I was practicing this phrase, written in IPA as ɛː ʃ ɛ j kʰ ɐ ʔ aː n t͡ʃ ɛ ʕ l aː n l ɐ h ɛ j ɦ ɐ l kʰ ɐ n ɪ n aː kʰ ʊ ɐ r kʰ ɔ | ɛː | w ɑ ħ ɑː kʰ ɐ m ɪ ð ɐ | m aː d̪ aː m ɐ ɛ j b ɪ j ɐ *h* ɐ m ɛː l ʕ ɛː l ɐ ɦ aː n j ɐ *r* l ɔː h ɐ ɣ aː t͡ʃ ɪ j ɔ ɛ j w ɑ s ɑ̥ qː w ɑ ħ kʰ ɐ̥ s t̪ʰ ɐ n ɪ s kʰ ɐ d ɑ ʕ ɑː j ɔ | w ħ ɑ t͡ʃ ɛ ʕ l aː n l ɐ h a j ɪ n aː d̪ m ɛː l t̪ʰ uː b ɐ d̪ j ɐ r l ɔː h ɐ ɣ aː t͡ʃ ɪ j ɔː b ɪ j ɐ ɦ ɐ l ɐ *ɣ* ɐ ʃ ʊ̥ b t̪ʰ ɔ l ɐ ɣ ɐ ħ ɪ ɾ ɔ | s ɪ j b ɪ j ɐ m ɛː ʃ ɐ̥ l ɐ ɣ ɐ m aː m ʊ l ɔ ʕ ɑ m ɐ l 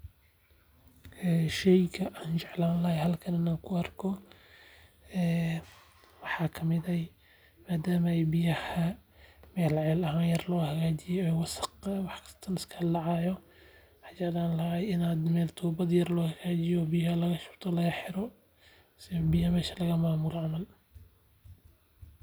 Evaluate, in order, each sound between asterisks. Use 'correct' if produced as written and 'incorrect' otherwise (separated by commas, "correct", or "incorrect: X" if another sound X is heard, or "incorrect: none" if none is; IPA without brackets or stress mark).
correct, correct, correct